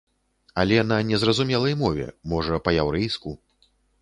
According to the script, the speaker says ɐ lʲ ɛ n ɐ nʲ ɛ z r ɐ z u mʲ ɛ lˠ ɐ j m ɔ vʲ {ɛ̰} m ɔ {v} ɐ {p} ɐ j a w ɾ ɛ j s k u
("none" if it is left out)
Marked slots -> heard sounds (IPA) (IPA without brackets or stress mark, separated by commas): ɛ̰, ʐ, p